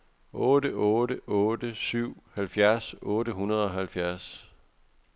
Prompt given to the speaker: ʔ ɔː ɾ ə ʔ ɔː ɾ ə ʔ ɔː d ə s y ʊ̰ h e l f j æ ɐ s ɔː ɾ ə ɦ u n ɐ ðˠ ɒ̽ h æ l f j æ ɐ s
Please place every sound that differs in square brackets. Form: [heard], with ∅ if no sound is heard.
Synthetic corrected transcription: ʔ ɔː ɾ ə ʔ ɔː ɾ ə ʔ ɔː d ə s y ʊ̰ h [æ] l f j æ ɐ s ɔː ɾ ə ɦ u n ɐ ðˠ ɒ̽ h æ l f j æ ɐ s